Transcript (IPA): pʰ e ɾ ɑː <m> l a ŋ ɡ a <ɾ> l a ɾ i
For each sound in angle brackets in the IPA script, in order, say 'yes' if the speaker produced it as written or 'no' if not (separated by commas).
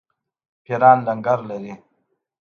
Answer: no, yes